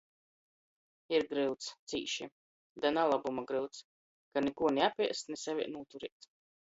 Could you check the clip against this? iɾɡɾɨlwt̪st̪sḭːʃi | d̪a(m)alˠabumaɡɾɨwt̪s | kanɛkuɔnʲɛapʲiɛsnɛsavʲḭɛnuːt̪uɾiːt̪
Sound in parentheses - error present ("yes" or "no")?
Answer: yes